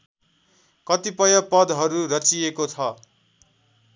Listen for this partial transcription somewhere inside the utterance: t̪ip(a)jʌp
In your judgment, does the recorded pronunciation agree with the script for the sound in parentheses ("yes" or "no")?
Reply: no